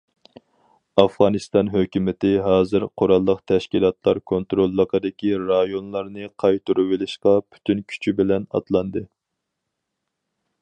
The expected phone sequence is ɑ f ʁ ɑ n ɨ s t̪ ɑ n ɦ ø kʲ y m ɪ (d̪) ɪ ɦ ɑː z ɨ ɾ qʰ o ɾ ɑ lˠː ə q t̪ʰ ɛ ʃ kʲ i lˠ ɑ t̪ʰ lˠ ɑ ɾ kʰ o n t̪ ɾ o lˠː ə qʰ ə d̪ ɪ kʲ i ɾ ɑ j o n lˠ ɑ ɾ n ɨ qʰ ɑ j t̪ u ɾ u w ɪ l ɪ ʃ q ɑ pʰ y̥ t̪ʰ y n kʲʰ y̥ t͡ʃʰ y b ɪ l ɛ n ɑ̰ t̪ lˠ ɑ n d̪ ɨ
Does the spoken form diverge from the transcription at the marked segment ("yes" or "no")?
yes